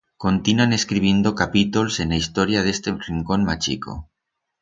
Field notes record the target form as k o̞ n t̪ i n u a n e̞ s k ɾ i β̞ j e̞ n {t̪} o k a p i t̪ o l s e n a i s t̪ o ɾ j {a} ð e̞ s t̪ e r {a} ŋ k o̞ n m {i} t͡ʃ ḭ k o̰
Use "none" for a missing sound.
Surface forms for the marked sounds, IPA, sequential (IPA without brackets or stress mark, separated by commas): d̪, a, i, a